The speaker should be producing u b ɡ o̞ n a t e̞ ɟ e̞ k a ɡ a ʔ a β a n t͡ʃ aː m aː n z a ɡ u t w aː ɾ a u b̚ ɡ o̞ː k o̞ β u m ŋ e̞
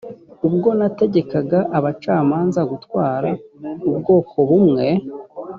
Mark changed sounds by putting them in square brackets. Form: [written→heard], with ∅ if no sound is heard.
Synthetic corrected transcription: u b ɡ o̞ n a t e̞ ɟ e̞ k a ɡ a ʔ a β a [n→∅] t͡ʃ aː m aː n z a ɡ u t w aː ɾ a u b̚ ɡ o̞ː k o̞ β u m ŋ e̞